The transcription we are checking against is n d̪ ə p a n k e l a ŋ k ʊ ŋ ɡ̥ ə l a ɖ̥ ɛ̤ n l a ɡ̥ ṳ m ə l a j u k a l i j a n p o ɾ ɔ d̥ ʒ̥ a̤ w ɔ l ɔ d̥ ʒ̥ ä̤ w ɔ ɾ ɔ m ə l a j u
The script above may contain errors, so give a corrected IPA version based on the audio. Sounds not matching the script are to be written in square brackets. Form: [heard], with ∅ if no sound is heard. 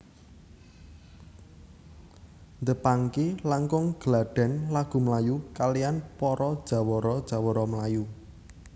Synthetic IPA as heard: n d̪ ə p a [ŋ] k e l a ŋ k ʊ ŋ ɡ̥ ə l a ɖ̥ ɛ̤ n l a ɡ̥ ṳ m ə l a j u k a l i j a n p [ɔ] ɾ ɔ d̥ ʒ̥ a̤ w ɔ [ɾ] ɔ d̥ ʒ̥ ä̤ w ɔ ɾ ɔ m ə l a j u